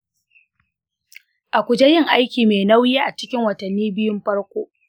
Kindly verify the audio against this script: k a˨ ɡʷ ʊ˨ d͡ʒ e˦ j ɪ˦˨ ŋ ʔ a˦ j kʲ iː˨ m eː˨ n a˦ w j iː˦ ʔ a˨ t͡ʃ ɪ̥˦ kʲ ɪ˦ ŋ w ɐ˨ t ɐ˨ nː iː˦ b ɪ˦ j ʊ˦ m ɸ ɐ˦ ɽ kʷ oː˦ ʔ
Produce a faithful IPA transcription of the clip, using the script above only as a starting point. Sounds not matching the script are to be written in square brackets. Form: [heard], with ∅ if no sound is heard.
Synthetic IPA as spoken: [ʔ] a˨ [kʷ] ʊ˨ d͡ʒ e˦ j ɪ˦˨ ŋ ʔ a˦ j kʲ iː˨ m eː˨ n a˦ w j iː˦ ʔ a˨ t͡ʃ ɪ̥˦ kʲ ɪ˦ ŋ w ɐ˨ t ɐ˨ nː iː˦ b ɪ˦ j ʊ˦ m ɸ ɐ˦ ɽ kʷ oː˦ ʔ

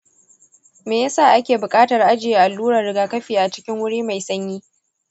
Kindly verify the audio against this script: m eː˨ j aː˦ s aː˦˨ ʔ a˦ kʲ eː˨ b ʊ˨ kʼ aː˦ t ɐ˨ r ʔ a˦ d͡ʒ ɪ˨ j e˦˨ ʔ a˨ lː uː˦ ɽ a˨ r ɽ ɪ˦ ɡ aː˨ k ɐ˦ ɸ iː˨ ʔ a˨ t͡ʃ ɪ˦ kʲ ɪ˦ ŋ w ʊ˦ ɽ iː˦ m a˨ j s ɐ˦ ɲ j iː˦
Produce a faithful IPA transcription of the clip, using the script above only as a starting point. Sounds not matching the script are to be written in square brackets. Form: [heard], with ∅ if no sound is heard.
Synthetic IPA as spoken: m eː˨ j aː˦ s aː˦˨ ʔ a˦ kʲ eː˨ b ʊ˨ kʼ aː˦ t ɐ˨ r ʔ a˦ d͡ʒ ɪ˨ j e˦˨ ʔ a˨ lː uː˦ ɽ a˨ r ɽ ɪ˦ ɡ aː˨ k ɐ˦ ɸ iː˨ ʔ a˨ t͡ʃ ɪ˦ kʲ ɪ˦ ŋ w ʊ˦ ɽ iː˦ m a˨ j s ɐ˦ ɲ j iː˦

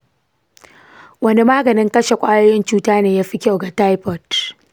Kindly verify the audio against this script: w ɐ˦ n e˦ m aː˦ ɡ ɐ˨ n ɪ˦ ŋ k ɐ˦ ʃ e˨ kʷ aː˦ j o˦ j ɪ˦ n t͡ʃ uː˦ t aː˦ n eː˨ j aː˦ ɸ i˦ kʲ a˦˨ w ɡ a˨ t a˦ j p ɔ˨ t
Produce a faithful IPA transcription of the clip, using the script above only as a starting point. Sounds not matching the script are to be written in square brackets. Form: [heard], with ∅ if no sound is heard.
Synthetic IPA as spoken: w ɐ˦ n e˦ m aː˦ ɡ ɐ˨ n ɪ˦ ŋ k ɐ˦ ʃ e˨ [kʷʼ] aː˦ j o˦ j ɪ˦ n t͡ʃ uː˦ t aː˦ n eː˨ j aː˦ ɸ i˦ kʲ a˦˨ w ɡ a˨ t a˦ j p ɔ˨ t

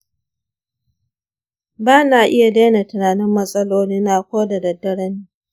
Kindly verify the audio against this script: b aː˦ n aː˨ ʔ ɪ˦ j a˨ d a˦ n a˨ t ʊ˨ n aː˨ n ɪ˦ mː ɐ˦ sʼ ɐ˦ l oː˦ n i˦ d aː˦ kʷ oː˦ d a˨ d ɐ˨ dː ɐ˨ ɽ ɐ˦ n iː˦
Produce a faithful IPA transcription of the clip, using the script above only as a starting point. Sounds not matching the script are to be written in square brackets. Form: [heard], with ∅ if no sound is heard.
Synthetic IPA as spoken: b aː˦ n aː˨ ʔ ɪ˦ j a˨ d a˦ n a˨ t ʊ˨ n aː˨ n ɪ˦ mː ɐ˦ sʼ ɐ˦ l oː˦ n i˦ [n] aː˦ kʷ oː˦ d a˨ d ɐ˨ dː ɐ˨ ɽ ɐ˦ n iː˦

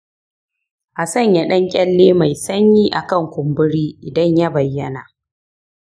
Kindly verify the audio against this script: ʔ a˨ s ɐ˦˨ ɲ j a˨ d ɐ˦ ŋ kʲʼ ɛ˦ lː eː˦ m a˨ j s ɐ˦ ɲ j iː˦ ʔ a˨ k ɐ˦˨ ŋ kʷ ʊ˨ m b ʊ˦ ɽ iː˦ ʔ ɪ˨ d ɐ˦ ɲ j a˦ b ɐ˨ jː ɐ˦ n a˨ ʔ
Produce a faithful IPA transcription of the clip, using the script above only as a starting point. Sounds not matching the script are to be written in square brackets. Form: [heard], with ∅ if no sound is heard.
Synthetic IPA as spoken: ʔ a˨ s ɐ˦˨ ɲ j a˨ [ɗ] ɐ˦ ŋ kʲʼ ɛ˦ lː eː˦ m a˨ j s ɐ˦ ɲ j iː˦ ʔ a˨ k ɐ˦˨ ŋ kʷ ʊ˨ m b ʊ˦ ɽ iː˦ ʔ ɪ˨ d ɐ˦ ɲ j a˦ b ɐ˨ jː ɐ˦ n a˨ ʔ

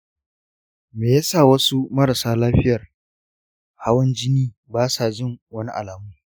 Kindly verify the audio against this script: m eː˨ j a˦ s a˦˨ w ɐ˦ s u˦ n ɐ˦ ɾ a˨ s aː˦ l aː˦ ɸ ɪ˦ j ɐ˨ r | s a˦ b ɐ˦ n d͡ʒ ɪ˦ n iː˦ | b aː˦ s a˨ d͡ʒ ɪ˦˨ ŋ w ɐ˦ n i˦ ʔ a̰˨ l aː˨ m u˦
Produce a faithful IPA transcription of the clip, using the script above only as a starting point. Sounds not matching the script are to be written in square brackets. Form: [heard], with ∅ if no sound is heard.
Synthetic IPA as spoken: m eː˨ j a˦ s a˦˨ w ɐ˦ s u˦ [m] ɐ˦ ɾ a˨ s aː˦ l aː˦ ɸ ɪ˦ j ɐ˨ r | [h] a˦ [w] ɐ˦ n d͡ʒ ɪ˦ n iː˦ | b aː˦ s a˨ d͡ʒ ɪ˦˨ ŋ w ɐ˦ n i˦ ʔ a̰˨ l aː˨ m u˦

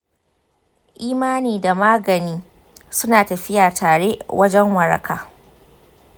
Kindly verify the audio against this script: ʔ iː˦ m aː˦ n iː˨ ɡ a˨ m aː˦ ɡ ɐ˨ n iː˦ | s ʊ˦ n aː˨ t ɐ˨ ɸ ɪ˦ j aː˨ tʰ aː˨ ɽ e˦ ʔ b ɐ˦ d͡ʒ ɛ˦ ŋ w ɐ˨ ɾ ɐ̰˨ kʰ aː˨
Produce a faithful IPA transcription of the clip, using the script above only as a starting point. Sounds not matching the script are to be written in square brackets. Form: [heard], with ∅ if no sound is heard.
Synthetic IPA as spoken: ʔ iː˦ m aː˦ n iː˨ [d] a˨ m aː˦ ɡ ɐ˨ n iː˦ | s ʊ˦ n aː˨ t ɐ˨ ɸ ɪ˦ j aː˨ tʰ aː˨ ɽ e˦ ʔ [w] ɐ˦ d͡ʒ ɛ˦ ŋ w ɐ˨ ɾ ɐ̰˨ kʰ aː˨

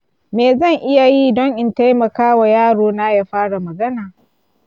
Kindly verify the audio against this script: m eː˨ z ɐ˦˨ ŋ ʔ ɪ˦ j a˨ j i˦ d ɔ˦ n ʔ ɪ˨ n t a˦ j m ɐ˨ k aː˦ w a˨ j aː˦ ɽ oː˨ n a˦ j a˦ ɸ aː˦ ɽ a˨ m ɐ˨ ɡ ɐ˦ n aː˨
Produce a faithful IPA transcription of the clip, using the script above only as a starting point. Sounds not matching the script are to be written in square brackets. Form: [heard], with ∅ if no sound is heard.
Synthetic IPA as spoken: m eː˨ z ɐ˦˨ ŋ ʔ ɪ˦ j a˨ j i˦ d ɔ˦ [ŋ] ʔ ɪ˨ n t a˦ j m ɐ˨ k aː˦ w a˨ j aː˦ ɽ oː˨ n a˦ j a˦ ɸ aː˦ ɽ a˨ m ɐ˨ ɡ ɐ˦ n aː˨

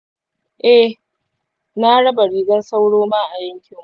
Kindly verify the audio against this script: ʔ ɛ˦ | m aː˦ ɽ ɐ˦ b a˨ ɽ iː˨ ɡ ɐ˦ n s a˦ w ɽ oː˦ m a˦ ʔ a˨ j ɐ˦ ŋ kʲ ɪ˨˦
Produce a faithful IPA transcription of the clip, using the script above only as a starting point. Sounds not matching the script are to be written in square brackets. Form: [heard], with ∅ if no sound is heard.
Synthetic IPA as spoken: ʔ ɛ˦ | [n] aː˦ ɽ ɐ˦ b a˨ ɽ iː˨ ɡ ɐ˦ n s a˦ w ɽ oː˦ m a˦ ʔ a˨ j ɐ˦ ŋ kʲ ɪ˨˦

